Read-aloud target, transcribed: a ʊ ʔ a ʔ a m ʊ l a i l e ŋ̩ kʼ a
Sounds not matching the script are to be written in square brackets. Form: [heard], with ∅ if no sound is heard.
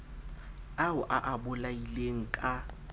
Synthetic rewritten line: a ʊ ʔ a ʔ a [b] ʊ l a i l e ŋ̩ kʼ a